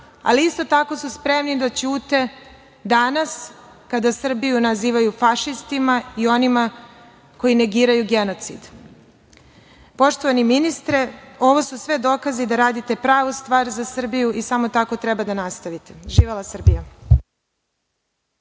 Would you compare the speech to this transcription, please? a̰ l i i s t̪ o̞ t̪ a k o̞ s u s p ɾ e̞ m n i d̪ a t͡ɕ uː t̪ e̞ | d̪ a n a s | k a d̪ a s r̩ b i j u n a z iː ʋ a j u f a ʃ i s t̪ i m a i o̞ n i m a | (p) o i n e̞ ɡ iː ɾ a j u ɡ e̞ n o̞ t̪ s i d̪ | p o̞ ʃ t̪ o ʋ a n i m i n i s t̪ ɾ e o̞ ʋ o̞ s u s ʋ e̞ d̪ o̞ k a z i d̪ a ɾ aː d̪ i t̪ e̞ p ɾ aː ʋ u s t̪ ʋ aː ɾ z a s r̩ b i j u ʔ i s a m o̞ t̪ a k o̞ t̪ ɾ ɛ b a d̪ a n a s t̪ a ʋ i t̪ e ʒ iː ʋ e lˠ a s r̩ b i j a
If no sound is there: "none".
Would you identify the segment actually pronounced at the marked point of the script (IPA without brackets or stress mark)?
k